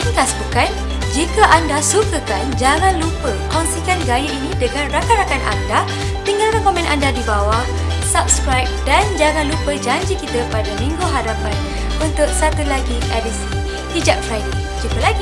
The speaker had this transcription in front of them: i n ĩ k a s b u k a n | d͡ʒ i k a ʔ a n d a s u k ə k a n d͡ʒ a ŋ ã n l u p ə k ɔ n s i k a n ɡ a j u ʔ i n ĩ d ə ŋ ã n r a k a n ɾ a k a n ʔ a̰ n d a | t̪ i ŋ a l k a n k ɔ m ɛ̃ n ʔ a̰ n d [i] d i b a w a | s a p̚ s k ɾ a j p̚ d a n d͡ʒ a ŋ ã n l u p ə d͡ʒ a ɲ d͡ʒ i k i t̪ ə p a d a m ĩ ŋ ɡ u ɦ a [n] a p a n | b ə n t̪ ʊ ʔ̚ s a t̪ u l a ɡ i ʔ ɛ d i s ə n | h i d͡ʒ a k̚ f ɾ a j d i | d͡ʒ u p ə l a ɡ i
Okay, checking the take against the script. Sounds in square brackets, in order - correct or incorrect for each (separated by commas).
incorrect, incorrect